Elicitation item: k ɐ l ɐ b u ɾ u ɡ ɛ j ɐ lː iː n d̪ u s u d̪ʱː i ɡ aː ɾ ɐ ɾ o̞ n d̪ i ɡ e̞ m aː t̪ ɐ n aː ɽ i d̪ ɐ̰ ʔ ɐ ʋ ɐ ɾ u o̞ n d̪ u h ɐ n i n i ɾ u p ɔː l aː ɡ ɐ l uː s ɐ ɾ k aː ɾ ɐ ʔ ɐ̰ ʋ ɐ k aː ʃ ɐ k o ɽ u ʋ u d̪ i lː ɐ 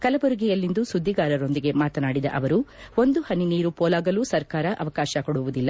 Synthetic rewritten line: k ɐ l ɐ b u ɾ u ɡ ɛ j ɐ lː i n d̪ u s u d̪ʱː i ɡ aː ɾ ɐ ɾ o̞ n d̪ i ɡ e̞ m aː t̪ ɐ n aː ɽ i d̪ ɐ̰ ʔ ɐ ʋ ɐ ɾ u o̞ n d̪ u h ɐ n i n iː ɾ u p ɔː l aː ɡ ɐ l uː s ɐ ɾ k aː ɾ ɐ ʔ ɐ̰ ʋ ɐ k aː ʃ ɐ k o ɽ u ʋ u d̪ i lː ɐ